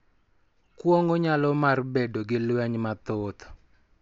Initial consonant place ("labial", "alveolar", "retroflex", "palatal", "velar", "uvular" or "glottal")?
velar